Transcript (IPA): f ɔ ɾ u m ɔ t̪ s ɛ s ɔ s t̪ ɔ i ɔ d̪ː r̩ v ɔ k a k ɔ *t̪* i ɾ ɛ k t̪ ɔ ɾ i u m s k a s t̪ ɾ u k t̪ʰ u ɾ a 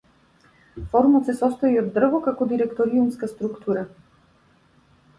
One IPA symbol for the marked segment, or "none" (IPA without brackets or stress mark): d̪